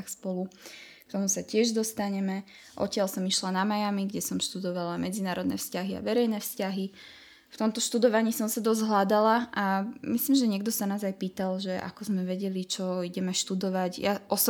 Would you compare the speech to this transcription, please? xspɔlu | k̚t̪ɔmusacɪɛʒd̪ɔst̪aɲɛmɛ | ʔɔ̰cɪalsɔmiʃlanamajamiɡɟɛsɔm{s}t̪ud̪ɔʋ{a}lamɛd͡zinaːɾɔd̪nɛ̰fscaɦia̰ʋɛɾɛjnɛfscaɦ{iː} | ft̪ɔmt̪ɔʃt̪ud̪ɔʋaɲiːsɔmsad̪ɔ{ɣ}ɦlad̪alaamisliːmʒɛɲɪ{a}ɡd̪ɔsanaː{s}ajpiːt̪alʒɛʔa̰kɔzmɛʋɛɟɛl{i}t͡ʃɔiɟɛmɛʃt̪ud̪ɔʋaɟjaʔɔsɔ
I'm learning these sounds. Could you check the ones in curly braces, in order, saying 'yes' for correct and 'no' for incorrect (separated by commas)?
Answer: no, yes, no, no, no, no, yes